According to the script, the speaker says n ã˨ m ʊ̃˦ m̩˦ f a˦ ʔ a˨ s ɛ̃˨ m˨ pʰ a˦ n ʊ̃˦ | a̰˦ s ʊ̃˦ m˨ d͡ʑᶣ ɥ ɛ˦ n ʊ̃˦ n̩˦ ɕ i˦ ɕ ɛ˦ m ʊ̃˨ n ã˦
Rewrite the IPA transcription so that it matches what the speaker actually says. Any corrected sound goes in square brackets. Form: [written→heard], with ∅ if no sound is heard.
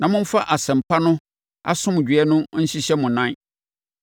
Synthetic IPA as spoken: n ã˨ m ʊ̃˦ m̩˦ f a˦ ʔ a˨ s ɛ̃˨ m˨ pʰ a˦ n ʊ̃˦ | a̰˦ s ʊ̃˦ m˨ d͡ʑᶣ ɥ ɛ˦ n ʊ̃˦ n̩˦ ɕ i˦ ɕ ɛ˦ m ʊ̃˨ n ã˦

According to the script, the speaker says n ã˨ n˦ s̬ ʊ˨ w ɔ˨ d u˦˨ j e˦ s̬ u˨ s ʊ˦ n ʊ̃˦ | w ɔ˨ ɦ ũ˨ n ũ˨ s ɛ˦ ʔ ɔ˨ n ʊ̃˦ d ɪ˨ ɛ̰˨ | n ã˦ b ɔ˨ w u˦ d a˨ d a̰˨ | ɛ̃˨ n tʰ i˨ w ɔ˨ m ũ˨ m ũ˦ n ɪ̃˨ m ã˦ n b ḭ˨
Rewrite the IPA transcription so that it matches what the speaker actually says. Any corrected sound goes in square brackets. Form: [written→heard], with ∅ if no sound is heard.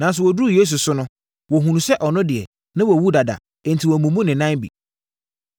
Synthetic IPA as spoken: n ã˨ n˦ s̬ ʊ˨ w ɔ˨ d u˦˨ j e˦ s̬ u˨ s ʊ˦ n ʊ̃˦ | w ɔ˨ ɦ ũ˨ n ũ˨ s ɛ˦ ʔ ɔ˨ n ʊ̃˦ d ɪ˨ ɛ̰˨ | n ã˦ [b→w] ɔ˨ w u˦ d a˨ d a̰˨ | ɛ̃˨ n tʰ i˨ w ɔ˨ m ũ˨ m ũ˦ n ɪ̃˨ [m→n] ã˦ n b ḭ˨

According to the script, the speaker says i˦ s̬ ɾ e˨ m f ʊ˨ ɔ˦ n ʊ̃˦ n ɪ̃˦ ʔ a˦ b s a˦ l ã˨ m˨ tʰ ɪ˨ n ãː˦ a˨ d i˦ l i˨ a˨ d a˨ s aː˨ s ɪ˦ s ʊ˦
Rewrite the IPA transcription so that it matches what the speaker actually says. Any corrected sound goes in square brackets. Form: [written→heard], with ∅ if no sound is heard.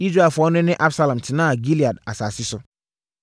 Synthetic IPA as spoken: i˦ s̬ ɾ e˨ [m→∅] f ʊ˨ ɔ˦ n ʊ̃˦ n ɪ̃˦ ʔ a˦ b s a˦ l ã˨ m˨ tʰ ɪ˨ n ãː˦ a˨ [d→ɡ] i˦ l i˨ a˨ d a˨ s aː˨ s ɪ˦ s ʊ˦

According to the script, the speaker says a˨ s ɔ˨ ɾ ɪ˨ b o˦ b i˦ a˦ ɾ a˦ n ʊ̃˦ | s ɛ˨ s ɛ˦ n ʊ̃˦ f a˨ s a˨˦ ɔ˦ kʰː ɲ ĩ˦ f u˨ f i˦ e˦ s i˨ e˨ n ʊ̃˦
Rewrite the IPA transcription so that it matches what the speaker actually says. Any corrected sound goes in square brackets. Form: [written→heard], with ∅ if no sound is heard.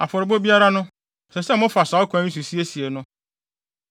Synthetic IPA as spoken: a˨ [s→f] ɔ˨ ɾ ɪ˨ b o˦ b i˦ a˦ ɾ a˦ n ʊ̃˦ | s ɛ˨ s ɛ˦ [n→m] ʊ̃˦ f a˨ s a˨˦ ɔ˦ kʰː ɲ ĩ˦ [f→s] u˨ [f→s] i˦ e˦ s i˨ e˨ n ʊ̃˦

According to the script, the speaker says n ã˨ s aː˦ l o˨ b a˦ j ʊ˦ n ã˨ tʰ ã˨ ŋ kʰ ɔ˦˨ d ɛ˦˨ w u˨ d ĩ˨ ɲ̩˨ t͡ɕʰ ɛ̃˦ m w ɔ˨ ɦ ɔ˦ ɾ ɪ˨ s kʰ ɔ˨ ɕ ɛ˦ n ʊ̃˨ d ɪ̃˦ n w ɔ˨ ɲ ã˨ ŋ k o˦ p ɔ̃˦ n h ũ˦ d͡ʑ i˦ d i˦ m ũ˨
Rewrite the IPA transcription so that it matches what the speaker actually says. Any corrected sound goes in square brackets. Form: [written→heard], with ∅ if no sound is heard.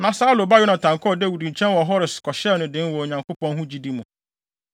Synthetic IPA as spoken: n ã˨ s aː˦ l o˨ b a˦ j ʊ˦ n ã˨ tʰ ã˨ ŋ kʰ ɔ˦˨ d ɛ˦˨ w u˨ d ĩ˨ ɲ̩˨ t͡ɕʰ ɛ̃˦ [m→n] w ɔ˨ ɦ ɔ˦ ɾ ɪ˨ s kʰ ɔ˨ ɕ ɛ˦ n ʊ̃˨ d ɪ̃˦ n w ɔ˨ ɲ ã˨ ŋ k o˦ p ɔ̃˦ n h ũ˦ d͡ʑ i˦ d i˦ m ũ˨

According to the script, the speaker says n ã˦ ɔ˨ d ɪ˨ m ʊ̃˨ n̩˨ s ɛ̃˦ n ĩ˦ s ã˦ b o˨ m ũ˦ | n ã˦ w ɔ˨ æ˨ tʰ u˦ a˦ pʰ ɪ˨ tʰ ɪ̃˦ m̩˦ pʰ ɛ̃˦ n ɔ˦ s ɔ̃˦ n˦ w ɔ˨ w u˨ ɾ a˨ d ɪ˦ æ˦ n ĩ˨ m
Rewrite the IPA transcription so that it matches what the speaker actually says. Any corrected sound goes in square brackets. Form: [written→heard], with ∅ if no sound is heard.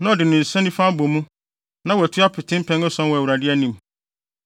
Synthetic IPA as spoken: n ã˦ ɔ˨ d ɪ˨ [m→n] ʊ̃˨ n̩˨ s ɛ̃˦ n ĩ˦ [s→f] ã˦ b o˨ m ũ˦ | n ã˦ w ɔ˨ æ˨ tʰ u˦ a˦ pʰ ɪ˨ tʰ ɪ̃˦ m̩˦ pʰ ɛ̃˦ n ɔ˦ s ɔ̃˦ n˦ w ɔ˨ w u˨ ɾ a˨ d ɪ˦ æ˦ n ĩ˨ m

